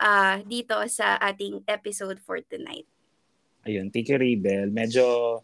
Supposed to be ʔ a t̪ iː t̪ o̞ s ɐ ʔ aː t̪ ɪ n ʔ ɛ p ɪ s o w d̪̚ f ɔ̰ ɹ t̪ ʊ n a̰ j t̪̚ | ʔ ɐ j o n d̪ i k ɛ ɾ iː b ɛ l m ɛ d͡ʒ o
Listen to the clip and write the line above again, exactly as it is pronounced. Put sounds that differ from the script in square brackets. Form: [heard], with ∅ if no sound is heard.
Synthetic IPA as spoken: ʔ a [d̪] iː t̪ o̞ s ɐ ʔ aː t̪ ɪ [ŋ] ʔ ɛ p ɪ s o w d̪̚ f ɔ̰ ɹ t̪ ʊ n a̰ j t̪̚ | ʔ ɐ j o n [t̪] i k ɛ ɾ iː b ɛ l m ɛ d͡ʒ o